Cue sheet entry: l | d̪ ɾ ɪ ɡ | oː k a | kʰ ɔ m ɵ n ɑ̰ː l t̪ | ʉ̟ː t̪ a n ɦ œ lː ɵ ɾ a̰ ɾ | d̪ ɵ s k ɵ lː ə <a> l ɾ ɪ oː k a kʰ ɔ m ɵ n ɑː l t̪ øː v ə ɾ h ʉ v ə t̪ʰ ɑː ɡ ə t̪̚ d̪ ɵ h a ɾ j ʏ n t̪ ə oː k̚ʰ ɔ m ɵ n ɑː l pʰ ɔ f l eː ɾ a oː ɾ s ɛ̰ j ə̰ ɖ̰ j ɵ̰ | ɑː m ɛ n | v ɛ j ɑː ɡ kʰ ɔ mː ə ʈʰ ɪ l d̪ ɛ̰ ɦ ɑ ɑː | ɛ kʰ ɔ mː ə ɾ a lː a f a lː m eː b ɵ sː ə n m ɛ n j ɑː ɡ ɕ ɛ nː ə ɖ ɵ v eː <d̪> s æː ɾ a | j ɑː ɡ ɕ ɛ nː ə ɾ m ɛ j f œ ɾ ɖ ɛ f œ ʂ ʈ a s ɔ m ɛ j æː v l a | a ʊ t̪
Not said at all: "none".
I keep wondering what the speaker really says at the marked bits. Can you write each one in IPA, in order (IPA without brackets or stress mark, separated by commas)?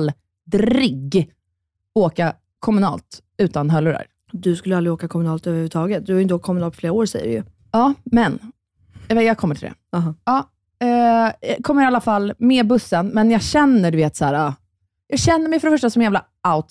a, t̪